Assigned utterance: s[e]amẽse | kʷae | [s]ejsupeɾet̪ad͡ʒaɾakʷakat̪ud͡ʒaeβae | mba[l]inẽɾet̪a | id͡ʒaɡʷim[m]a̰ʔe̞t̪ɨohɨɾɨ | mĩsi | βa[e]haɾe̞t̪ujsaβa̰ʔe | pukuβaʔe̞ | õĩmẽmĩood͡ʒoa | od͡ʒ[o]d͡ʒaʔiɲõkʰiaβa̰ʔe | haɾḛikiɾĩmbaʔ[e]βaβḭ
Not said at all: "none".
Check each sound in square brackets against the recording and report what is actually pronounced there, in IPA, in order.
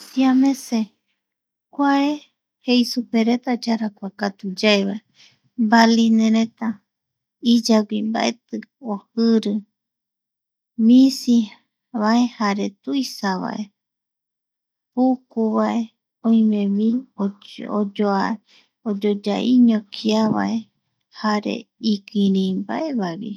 i, h, l, b, e, o, e

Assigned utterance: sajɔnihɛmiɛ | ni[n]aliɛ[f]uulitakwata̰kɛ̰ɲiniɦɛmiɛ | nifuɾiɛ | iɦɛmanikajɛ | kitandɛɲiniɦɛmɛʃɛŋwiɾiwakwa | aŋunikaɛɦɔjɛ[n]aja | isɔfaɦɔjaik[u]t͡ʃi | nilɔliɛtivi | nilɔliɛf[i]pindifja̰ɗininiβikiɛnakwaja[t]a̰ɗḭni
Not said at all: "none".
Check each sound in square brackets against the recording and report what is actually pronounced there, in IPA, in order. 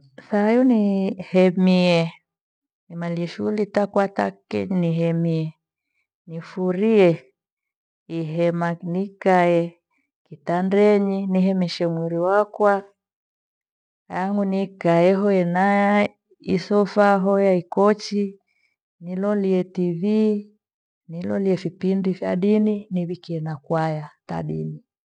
m, ʃ, n, ɔ, i, t

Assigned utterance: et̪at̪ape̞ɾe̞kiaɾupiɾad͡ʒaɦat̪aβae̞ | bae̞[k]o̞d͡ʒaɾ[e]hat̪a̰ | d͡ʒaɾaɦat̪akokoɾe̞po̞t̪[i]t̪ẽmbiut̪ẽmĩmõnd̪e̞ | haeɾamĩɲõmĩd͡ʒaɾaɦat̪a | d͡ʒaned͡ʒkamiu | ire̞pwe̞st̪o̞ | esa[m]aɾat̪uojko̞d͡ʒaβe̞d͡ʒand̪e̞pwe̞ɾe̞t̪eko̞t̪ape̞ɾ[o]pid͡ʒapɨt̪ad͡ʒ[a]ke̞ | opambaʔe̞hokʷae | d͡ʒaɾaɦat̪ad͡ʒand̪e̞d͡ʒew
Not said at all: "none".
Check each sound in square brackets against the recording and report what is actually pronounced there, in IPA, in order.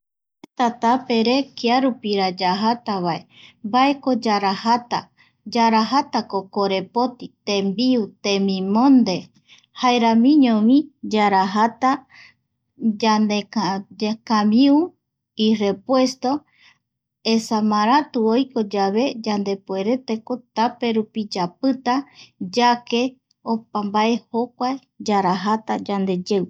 k, a, i, m, u, a

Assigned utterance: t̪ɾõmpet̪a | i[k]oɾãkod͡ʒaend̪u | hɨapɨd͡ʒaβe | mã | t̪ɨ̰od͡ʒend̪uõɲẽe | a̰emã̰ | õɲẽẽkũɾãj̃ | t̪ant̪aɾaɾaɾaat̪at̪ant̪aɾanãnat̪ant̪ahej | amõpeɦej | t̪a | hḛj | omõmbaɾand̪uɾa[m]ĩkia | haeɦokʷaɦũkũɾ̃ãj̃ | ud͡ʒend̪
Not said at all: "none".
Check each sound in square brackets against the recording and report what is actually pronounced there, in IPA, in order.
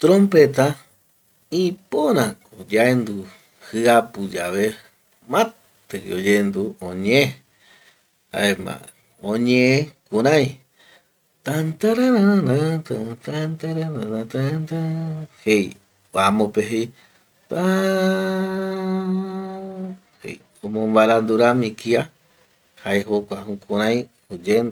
p, m

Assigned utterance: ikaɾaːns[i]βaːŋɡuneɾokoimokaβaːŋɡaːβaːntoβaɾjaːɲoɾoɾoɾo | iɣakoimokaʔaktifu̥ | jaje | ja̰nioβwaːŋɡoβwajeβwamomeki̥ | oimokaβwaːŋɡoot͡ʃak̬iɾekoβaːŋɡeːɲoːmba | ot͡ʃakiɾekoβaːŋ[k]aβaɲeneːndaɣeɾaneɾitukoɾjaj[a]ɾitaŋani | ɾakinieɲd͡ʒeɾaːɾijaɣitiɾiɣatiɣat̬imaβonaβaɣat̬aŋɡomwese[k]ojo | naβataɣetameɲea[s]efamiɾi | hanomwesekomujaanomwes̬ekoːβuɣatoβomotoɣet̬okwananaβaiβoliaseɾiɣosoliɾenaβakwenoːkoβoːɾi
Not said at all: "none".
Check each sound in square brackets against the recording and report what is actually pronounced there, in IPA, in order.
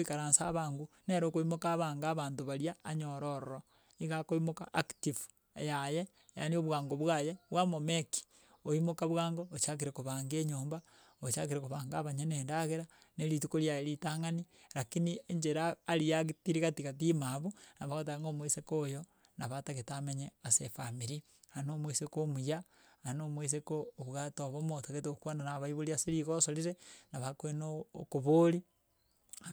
a, ɡ, e, k, s

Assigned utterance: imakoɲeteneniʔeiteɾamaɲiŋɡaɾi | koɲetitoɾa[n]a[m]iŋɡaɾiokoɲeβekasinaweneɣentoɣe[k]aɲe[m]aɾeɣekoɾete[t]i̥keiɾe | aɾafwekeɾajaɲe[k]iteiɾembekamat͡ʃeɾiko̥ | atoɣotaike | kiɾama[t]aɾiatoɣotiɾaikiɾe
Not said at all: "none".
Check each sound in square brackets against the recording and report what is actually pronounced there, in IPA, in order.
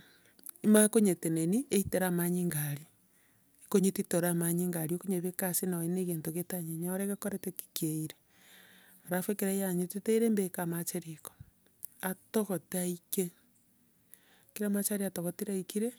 m, ɲ, t, ɲ, k, t, t͡ʃ

